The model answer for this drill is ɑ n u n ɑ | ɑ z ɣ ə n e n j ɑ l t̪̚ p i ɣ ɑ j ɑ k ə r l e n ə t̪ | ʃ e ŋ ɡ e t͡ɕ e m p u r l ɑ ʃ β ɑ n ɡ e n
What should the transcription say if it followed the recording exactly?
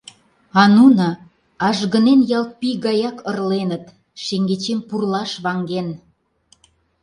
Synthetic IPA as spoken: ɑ n u n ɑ | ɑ ʒ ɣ ə n e n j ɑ l t̪̚ p i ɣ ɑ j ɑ k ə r l e n ə t̪ | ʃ e ŋ ɡ e t͡ɕ e m p u r l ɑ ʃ β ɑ ŋ ɡ e n